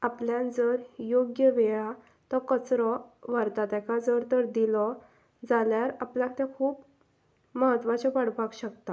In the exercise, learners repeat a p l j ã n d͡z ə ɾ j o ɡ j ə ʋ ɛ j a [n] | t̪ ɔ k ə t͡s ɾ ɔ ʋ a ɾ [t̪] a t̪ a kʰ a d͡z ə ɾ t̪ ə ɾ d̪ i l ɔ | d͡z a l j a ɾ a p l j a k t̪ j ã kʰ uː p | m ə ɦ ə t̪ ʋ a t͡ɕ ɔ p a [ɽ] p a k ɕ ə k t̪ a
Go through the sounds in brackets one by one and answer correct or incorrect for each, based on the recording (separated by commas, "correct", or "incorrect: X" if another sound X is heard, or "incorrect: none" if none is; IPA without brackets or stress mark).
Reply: incorrect: none, correct, correct